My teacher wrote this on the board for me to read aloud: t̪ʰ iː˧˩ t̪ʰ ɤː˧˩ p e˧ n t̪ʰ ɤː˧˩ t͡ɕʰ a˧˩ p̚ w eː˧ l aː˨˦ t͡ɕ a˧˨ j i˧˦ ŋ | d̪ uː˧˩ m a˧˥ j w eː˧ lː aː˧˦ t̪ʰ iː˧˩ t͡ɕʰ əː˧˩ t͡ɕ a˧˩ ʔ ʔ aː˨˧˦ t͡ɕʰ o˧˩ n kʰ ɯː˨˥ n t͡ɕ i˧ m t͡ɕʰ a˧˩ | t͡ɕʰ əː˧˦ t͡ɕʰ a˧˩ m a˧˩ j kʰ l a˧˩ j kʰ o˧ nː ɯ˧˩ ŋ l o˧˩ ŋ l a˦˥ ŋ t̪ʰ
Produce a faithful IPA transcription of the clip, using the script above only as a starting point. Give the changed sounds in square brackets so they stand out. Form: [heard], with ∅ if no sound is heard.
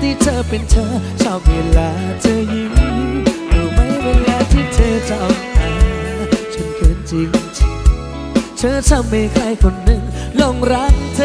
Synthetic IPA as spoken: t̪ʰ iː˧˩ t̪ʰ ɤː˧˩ p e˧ n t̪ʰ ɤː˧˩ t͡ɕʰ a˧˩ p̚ w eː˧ l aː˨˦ t͡ɕ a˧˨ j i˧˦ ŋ | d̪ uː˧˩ m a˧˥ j w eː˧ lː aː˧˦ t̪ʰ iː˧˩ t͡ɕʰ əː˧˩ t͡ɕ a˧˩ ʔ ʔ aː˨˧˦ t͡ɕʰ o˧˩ n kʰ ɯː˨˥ n t͡ɕ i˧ [ŋ] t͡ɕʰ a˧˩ | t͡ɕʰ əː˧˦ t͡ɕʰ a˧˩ m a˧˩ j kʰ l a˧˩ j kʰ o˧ nː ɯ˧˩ ŋ l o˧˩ ŋ [ɾ] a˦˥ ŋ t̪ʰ